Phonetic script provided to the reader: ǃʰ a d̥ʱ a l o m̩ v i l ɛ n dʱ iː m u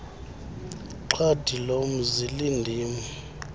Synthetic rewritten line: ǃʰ a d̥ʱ i l o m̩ z i l i n dʱ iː m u